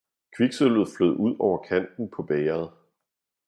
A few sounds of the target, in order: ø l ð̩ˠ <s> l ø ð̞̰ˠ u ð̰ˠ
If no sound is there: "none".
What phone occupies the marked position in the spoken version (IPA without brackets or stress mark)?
f